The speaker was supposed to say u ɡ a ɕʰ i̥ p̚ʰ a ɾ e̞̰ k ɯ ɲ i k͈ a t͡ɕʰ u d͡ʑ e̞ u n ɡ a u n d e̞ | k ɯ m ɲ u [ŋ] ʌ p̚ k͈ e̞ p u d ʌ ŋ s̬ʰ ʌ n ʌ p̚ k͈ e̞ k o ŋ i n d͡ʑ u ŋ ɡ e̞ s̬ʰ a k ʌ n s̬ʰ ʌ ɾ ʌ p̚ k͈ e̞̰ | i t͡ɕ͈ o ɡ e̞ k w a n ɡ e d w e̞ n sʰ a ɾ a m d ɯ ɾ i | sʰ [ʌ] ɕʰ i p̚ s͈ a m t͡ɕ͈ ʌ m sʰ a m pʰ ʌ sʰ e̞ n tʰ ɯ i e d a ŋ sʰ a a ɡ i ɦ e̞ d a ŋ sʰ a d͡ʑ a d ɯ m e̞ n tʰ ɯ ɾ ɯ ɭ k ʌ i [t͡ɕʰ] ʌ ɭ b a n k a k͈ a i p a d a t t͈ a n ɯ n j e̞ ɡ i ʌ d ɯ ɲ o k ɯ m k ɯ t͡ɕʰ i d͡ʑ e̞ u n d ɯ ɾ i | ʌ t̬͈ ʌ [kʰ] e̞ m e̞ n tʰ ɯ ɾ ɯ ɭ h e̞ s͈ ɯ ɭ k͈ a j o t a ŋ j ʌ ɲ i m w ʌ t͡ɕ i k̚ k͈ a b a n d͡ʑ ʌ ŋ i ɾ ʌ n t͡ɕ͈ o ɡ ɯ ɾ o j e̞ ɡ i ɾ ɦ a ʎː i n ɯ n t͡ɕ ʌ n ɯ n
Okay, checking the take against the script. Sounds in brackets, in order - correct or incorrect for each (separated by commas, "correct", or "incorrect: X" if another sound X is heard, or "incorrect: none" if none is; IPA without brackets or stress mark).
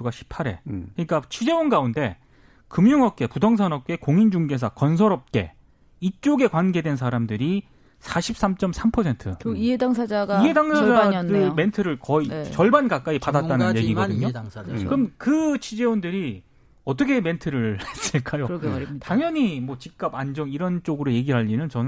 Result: correct, incorrect: a, incorrect: t͡ɕ, correct